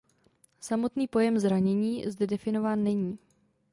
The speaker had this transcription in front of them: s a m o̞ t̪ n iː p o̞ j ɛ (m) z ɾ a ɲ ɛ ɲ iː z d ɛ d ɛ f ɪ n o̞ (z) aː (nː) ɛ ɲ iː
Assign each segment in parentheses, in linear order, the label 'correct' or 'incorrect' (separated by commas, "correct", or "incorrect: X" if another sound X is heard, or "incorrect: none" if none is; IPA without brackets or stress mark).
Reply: correct, incorrect: v, correct